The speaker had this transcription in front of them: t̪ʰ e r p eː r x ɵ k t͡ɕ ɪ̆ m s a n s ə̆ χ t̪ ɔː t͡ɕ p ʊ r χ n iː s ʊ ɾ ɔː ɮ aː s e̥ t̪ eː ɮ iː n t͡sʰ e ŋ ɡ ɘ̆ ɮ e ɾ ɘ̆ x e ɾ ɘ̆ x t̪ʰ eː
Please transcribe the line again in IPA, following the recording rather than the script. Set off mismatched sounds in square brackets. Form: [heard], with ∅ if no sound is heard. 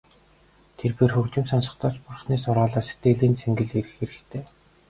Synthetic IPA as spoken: t̪ʰ e r p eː r x ɵ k t͡ɕ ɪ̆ m s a n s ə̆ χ t̪ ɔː t͡ɕ p ʊ r χ n iː s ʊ ɾ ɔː ɮ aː s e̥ t̪ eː ɮ iː n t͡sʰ e ŋ ɡ ɘ̆ ɮ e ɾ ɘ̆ x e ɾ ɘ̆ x t̪ʰ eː